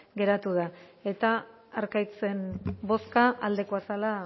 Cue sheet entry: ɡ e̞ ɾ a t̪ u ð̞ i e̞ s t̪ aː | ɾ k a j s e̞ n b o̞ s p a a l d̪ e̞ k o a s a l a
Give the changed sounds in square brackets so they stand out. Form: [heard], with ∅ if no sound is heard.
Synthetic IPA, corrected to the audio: ɡ e̞ ɾ a t̪ u ð̞ [a] e̞ [∅] t̪ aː | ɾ k a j [t͡s] e̞ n b o̞ s [k] a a l d̪ e̞ k o a s a l a